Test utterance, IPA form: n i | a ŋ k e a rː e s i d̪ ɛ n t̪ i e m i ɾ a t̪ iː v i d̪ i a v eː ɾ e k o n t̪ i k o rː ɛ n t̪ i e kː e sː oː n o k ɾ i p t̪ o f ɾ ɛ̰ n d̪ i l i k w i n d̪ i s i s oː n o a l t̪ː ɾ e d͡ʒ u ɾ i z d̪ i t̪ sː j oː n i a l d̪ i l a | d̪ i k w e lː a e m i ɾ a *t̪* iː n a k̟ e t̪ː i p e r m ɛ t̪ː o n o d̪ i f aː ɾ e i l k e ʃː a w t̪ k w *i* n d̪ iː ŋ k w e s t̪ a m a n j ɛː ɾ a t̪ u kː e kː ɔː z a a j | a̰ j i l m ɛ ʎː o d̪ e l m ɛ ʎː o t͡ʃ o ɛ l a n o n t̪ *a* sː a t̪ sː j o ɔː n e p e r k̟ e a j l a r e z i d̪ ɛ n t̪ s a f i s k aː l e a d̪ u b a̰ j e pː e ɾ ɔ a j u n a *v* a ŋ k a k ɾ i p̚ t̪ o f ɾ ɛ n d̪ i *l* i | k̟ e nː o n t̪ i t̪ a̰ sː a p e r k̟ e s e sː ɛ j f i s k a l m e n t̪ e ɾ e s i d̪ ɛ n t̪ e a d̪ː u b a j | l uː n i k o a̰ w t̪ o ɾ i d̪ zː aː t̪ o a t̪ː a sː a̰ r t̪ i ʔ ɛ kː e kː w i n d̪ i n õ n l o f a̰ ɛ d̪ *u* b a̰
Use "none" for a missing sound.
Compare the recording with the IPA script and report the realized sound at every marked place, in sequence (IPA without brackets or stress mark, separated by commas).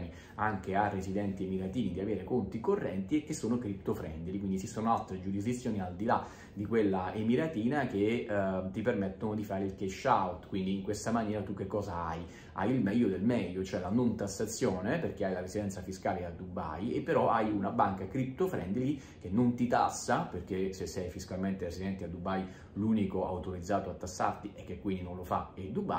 t̪, i, a, b, l, u